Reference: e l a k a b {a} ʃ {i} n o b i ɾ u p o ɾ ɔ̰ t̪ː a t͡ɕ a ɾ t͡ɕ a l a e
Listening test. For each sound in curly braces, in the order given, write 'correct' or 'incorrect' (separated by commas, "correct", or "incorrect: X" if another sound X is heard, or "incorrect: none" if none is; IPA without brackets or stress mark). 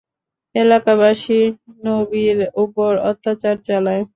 correct, correct